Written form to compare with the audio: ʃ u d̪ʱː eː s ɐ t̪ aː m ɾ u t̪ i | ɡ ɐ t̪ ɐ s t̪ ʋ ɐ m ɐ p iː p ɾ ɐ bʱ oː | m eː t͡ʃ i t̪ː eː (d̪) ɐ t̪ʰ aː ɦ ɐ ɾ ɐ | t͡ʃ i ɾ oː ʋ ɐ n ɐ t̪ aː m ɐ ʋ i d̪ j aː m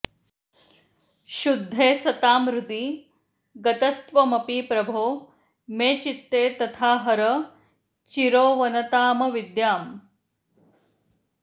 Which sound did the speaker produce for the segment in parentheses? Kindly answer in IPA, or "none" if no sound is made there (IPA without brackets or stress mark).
t̪